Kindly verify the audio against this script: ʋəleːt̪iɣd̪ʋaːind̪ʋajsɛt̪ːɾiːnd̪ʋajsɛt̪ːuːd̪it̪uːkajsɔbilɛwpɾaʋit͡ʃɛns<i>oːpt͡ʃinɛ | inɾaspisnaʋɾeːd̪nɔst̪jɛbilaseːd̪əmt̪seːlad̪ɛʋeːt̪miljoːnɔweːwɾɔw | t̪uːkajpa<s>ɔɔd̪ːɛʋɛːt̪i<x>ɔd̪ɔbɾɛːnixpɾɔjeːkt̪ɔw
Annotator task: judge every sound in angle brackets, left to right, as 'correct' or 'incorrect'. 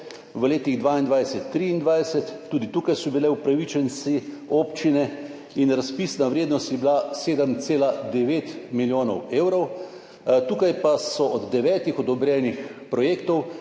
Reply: correct, correct, correct

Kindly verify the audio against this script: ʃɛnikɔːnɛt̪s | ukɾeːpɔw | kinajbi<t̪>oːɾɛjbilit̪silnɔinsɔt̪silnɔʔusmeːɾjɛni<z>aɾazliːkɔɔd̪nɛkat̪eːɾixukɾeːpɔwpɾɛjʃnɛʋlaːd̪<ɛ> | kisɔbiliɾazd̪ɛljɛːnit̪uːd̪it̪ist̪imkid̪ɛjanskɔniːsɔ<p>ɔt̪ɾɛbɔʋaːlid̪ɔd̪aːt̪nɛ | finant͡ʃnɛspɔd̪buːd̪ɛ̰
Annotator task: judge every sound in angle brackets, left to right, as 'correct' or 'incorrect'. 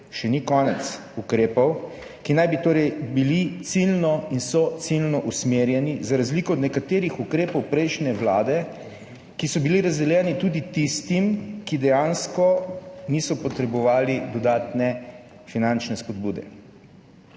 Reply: correct, correct, correct, correct

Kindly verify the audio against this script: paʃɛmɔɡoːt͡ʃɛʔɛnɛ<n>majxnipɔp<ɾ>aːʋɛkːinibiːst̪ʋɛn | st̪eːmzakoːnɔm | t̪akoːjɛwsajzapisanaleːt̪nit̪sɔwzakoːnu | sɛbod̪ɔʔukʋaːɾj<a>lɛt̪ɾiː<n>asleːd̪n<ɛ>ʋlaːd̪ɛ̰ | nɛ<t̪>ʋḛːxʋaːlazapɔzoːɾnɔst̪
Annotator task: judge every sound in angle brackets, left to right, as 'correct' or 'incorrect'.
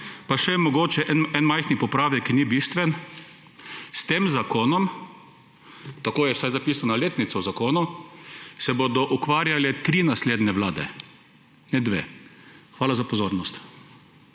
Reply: correct, correct, correct, correct, correct, incorrect

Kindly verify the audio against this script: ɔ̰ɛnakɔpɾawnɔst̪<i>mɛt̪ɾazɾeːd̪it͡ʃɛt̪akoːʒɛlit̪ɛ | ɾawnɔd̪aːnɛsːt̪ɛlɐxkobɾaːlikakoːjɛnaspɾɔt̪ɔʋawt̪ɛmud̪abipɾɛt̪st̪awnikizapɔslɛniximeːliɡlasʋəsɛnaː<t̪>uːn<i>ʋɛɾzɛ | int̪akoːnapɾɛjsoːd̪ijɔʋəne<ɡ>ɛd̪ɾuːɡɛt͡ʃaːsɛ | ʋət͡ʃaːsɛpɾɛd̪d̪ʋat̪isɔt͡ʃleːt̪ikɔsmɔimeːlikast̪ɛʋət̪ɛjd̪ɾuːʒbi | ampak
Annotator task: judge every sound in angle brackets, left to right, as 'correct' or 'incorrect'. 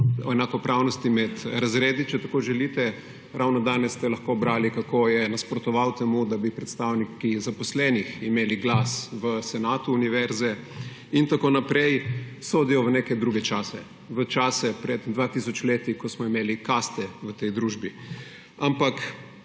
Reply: correct, correct, correct, incorrect

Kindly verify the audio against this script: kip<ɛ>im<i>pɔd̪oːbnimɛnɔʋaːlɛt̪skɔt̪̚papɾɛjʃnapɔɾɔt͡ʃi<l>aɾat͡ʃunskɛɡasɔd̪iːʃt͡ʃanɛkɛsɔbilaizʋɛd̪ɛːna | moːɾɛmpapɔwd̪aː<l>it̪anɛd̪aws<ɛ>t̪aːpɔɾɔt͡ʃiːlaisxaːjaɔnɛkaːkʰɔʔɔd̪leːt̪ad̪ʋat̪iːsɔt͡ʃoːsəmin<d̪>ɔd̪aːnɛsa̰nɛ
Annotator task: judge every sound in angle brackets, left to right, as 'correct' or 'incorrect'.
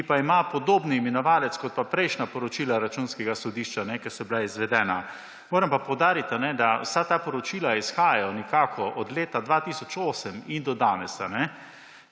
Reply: incorrect, incorrect, correct, incorrect, incorrect, correct

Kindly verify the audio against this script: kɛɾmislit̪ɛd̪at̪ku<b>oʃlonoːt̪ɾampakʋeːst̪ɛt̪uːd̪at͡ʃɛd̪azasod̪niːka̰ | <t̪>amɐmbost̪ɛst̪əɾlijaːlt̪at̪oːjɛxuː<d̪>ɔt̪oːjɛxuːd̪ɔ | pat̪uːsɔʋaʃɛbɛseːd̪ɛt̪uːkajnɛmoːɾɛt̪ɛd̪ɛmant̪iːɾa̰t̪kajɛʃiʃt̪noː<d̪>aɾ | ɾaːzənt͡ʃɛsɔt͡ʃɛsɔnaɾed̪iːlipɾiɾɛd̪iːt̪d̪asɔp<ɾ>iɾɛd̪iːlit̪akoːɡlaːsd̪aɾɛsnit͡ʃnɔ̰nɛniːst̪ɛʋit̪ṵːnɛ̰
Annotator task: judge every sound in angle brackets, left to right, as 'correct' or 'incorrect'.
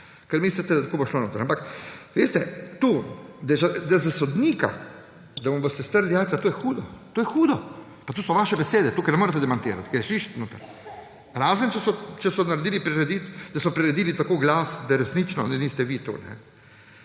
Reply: correct, incorrect, correct, incorrect, correct

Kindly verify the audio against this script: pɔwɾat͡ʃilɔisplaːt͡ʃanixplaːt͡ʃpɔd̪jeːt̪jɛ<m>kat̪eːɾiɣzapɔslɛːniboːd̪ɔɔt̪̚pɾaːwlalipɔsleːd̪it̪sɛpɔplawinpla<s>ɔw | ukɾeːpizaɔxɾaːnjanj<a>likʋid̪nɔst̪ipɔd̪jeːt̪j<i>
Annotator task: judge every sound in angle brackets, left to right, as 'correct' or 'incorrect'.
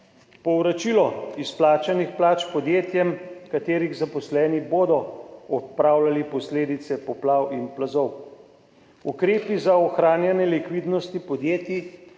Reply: correct, incorrect, incorrect, correct

